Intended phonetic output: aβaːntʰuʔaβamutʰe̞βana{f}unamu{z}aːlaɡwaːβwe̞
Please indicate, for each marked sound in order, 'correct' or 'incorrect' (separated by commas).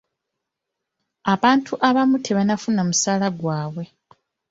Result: correct, incorrect